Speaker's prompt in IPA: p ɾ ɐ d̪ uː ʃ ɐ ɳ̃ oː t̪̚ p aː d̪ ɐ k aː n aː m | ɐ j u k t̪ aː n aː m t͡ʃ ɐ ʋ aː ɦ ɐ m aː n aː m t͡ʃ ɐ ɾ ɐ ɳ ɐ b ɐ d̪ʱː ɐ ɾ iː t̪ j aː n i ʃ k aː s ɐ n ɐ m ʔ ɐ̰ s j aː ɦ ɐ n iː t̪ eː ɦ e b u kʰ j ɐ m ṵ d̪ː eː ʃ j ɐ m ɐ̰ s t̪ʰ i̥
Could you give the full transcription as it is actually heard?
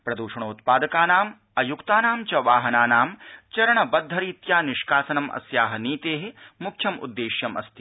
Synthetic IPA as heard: p ɾ ɐ d̪ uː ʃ ɐ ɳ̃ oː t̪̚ p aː d̪ ɐ k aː n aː m | ɐ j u k t̪ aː n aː m t͡ʃ ɐ ʋ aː ɦ ɐ n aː n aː m t͡ʃ ɐ ɾ ɐ ɳ ɐ b ɐ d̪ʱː ɐ ɾ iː t̪ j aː n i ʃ k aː s ɐ n ɐ m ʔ ɐ̰ s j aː ɦ ɐ n iː t̪ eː ɦ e m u kʰ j ɐ m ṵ d̪ː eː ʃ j ɐ m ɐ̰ s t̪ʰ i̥